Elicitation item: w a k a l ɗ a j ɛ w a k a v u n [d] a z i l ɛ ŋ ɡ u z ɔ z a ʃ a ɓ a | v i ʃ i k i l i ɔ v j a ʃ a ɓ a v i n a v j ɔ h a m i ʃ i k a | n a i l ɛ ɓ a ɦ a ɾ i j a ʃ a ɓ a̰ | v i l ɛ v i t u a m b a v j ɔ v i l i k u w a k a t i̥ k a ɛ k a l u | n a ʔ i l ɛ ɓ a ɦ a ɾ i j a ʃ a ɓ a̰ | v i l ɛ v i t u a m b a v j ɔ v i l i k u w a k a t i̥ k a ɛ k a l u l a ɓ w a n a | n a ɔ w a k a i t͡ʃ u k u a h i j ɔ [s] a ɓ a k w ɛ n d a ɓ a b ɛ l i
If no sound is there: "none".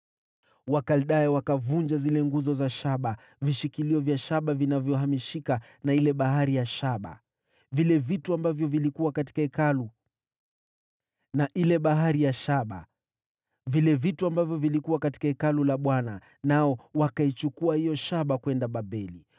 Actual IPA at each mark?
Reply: d͡ʒ, ʃ

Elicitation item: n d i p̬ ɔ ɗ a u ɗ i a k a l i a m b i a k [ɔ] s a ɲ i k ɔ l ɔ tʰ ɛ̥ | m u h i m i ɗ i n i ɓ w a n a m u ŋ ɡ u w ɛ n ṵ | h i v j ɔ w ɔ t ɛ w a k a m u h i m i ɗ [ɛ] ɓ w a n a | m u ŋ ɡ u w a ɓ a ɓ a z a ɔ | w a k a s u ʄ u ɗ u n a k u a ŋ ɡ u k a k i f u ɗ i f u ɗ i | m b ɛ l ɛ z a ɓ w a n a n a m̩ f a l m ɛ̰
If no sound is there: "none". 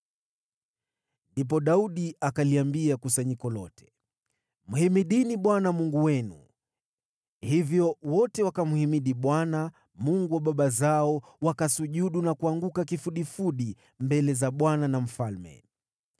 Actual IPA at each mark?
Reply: u, i

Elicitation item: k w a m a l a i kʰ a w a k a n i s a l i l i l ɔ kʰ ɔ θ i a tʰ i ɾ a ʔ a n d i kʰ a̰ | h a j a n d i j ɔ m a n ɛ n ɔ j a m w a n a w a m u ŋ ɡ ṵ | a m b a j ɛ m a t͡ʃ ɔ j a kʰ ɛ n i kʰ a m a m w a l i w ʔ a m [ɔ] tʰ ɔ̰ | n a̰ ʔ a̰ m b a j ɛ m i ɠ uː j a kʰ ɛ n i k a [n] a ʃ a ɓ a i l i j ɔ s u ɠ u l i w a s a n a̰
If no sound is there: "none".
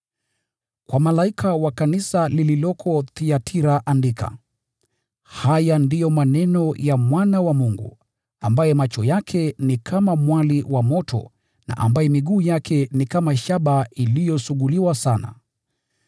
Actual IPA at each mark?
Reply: ɔ, m

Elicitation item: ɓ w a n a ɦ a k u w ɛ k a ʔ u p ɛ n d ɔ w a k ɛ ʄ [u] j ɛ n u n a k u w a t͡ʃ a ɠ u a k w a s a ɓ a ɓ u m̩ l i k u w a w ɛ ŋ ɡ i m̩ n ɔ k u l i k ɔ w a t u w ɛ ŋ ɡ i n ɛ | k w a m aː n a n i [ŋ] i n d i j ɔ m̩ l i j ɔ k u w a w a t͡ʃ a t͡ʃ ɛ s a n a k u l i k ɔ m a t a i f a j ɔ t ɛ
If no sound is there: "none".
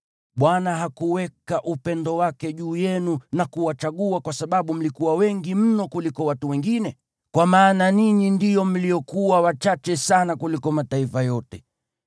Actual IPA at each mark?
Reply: uː, ɲ

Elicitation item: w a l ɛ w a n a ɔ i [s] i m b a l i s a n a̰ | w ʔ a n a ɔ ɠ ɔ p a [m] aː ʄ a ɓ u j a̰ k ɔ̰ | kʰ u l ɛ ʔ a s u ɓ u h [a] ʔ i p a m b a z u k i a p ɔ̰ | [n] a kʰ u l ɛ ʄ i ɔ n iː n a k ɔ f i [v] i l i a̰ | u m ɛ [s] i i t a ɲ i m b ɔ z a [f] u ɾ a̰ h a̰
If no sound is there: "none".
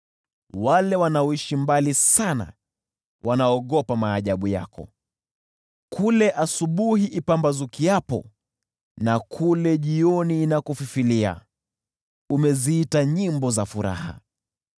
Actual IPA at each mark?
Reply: ʃ, m, i, n, f, z, f

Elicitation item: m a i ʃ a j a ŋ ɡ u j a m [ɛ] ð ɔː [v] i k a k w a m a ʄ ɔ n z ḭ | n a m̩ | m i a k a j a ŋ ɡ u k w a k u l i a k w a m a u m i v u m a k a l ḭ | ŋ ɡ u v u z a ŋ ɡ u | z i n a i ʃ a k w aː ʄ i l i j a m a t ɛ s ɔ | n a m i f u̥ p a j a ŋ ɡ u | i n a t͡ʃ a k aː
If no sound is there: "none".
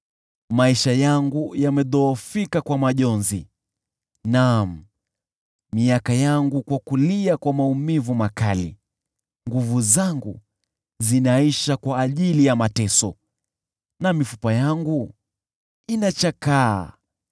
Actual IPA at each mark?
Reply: ɛ, f

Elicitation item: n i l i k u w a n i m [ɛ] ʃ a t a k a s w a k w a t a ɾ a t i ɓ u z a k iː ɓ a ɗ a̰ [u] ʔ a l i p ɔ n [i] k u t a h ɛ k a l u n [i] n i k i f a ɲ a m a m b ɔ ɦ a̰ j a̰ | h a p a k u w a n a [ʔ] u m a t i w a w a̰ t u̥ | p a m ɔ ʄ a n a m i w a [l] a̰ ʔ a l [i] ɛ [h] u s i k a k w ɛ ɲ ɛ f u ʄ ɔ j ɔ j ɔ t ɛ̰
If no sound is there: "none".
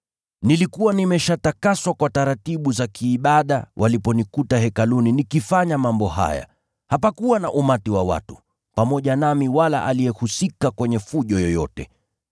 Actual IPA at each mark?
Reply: ɛ, w, i, i, ʔ, l, i, h

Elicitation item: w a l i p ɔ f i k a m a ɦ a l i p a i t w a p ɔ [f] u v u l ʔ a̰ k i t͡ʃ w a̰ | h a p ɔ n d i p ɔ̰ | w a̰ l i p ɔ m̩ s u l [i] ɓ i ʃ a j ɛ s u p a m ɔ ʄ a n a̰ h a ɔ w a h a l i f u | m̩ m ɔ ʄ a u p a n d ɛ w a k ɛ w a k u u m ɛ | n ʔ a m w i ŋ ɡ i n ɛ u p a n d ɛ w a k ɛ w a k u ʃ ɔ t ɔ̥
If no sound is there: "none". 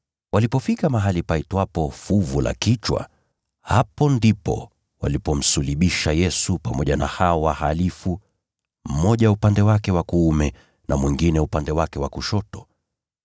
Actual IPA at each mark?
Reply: f, i

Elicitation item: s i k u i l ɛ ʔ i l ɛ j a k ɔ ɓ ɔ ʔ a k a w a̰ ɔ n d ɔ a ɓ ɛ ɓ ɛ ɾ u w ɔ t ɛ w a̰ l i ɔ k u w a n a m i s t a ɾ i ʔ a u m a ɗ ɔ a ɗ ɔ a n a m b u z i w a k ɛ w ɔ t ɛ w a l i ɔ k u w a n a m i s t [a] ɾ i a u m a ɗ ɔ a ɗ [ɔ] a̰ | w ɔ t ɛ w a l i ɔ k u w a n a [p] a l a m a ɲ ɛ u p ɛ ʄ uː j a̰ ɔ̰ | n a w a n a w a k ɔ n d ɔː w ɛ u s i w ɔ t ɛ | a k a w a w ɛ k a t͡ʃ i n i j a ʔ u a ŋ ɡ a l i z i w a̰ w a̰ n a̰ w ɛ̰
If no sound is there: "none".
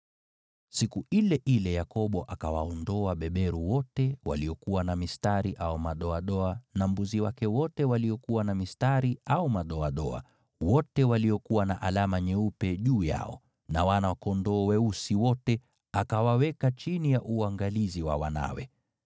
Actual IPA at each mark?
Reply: a, ɔ, ʔ

